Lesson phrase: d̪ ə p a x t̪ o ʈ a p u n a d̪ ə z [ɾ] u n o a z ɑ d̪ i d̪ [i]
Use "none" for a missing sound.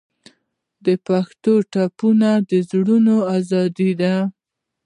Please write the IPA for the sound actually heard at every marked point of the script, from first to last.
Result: ɽ, a

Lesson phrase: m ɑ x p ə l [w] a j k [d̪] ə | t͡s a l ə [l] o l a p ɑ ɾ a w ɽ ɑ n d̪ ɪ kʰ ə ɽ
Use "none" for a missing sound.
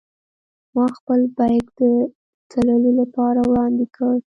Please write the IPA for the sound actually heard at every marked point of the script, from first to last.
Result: b, d̪, l

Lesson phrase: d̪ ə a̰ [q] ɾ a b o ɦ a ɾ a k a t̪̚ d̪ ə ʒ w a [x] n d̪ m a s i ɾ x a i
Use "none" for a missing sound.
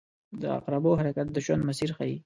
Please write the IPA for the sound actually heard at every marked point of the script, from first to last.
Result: q, none

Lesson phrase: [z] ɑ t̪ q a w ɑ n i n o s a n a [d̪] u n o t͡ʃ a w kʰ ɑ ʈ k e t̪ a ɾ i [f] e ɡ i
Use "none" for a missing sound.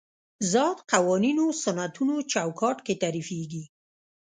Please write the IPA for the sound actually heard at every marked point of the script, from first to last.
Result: z, t̪, f

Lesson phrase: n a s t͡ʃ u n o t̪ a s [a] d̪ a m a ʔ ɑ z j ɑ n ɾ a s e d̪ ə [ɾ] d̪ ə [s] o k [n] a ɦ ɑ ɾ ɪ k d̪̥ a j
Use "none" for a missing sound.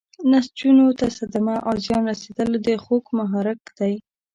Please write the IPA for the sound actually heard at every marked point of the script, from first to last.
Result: a, l, x, m

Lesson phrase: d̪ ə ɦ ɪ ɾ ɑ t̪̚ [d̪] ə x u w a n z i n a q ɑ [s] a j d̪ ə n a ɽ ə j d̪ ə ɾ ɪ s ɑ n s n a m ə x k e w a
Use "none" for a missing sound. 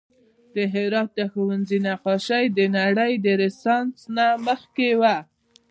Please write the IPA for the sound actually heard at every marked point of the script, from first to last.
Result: d̪, ʃ

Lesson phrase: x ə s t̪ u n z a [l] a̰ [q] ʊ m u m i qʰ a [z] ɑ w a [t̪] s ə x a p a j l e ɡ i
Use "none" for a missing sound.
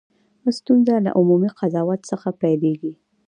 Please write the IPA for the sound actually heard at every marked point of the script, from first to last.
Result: l, ʔ, z, t̪

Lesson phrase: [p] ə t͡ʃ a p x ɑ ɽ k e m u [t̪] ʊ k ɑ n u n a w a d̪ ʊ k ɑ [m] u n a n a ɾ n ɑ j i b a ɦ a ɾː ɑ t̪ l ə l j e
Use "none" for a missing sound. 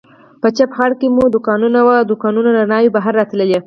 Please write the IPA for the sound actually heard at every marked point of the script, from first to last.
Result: p, d̪, n

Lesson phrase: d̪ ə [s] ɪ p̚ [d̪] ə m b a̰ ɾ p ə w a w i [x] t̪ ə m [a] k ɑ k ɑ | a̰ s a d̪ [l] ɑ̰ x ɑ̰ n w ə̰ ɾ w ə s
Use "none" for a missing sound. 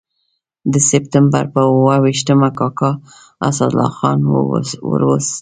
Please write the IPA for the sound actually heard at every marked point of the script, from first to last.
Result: s, t̪, ʃ, a, l

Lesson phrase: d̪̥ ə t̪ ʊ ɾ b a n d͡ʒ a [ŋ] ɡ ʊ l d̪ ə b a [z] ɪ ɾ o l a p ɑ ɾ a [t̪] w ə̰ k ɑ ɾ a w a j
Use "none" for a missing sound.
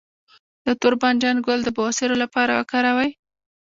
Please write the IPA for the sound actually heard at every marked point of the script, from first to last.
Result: n, s, none

